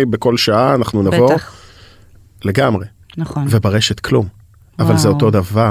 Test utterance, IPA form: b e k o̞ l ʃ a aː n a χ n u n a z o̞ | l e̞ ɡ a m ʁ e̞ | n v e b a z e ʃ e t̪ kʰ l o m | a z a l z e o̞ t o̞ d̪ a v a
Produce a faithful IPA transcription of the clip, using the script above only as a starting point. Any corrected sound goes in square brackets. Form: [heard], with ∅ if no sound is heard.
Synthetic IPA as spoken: b e k o̞ l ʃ a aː n a χ n u n a [v] o̞ | l e̞ ɡ a m ʁ e̞ | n v e b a [ʁ] e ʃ e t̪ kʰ l [u] m | a [v] a l z e o̞ t o̞ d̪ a v a